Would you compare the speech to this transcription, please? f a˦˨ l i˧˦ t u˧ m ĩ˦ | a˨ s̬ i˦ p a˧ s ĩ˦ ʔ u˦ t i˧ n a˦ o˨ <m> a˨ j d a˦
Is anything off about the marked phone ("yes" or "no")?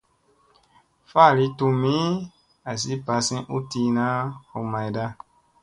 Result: no